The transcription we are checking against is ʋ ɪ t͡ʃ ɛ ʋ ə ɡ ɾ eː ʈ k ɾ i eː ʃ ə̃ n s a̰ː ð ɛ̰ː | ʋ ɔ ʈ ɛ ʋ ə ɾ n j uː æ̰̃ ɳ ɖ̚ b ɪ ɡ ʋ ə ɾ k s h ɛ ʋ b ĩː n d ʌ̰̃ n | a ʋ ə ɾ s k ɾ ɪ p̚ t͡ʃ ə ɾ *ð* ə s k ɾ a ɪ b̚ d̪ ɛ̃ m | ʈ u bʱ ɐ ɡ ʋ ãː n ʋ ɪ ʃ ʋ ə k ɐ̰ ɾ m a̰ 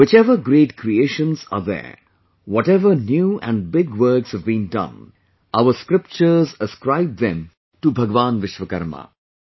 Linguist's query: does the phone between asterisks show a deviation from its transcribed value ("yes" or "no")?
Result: yes